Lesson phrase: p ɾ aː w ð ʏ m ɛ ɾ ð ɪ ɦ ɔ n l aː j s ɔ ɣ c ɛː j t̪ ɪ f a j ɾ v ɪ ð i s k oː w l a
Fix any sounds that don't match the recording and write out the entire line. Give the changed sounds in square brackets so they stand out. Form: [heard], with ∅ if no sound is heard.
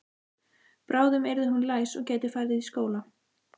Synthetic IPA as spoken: p ɾ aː w ð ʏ m ɛ ɾ ð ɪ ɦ [u] n l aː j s ɔ ɣ c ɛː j t̪ ɪ f a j ɾ [ð] ɪ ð i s k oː w l a